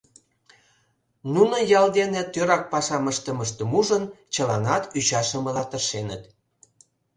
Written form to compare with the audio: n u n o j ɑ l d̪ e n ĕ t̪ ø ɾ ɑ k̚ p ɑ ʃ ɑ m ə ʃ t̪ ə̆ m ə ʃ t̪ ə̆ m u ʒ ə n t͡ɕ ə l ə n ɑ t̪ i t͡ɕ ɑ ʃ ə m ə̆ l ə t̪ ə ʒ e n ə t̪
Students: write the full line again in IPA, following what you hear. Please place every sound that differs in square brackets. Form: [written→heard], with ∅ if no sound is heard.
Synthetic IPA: n u n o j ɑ l d̪ e n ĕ t̪ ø ɾ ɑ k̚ p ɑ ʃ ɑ m ə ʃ t̪ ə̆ m ə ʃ t̪ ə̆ m u ʒ ə n t͡ɕ ə l [ə→ɑ] n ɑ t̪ [i→y] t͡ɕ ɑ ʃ ə m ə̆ l [ə→ɑ] t̪ ə [ʒ→ʃ] e n ə t̪